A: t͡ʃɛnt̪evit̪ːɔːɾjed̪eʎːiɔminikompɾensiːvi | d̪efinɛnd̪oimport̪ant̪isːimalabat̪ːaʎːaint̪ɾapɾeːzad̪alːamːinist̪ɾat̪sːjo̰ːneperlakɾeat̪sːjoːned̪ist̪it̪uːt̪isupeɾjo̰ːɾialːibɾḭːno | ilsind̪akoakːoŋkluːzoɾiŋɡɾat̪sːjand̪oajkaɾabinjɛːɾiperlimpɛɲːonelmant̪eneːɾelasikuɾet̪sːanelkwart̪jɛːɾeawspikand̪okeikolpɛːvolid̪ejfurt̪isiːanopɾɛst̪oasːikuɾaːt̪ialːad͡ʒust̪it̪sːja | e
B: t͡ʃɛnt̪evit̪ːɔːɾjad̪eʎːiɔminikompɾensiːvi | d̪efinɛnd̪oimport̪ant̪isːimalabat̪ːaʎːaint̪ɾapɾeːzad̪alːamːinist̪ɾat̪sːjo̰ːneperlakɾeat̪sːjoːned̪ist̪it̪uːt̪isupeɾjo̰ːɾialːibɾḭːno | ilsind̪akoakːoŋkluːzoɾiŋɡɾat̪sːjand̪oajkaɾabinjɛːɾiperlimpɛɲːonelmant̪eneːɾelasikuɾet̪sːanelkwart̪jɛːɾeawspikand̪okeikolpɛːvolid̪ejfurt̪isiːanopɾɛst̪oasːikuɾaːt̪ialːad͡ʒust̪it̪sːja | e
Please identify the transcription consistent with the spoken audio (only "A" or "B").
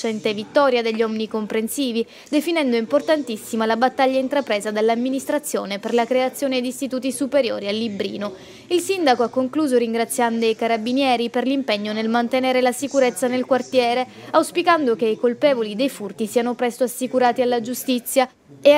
B